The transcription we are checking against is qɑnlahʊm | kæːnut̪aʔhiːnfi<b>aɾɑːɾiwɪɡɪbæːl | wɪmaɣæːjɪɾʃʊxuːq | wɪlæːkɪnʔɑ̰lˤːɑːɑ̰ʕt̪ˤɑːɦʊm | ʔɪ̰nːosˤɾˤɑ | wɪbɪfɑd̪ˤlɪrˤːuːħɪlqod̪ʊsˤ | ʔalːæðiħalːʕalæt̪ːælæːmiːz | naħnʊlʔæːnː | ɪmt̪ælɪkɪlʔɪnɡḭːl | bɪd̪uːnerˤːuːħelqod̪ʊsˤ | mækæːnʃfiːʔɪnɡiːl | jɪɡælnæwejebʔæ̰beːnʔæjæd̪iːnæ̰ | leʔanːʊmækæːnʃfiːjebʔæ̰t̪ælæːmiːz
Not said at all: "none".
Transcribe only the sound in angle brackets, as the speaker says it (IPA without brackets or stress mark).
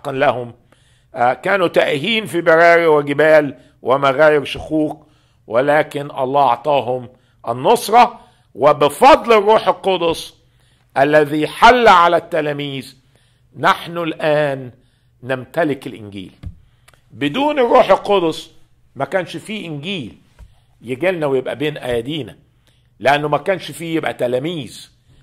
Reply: b